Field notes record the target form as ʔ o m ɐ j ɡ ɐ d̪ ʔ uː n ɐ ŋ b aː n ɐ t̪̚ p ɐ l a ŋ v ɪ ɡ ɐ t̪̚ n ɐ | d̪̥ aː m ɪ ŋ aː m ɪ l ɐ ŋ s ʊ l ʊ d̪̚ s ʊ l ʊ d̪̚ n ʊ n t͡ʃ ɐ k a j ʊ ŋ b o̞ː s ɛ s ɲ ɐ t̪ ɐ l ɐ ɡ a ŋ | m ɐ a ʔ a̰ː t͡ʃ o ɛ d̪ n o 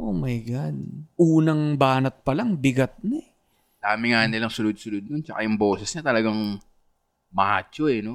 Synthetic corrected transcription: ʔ o m ɐ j ɡ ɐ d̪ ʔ uː n ɐ ŋ b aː n ɐ t̪̚ p ɐ l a ŋ b ɪ ɡ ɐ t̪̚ n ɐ | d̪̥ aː m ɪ ŋ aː n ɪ l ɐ ŋ s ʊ l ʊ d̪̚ s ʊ l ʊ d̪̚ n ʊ n t͡ʃ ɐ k a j ʊ ŋ b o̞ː s ɛ s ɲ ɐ t̪ ɐ l ɐ ɡ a ŋ | m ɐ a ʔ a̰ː t͡ʃ o ɛ n o